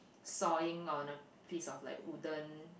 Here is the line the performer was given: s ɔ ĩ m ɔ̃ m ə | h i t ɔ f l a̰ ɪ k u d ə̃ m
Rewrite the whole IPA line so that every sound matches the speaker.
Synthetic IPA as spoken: s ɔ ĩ ŋ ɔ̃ n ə | f i s ɔ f l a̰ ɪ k u d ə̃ n